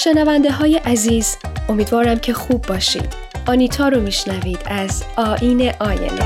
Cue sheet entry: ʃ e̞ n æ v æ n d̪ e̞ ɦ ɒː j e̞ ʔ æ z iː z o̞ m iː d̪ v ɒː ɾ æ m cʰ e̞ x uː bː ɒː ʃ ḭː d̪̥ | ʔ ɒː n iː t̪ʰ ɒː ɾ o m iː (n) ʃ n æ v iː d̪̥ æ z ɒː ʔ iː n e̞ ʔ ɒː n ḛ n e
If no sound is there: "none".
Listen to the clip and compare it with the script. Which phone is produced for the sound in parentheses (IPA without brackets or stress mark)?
none